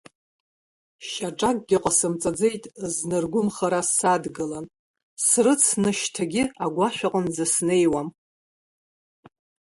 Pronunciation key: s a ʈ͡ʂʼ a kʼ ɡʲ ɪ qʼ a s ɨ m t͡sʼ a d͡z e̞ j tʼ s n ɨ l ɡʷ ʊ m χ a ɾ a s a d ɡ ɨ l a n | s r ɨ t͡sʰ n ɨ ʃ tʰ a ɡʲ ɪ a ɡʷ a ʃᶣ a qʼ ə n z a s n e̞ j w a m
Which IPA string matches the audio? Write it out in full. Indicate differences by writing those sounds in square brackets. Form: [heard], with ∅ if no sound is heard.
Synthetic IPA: [ʃ] a ʈ͡ʂʼ a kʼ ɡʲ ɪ qʼ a s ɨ m t͡sʼ a d͡z e̞ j tʼ [z] n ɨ [r] ɡʷ ʊ m χ a ɾ a s a d ɡ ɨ l a n | s r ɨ t͡sʰ n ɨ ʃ tʰ a ɡʲ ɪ a ɡʷ a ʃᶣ a qʼ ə n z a s n e̞ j w a m